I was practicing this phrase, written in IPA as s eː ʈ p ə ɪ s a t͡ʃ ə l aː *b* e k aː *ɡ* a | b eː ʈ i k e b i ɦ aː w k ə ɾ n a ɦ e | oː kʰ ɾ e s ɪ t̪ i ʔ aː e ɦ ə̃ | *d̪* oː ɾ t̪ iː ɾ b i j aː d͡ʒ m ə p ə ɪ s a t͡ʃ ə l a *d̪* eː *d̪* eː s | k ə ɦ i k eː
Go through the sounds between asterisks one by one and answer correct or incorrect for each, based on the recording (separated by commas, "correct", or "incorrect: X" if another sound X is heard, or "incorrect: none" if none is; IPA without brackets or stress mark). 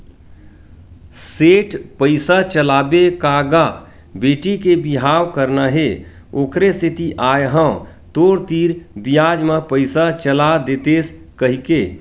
correct, correct, incorrect: t̪, correct, incorrect: t̪